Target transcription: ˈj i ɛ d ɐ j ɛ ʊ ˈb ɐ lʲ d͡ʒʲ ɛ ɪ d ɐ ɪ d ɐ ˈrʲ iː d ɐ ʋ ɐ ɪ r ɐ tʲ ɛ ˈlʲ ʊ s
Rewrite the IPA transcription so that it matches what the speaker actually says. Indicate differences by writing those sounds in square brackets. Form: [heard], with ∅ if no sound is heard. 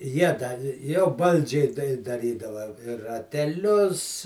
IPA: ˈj i ɛ d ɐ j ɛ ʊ ˈb ɐ lʲ d͡ʒʲ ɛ ɪ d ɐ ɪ d ɐ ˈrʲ iː d ɐ ʋ ɐ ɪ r ɐ tʲ ɛ ˈlʲ ʊ s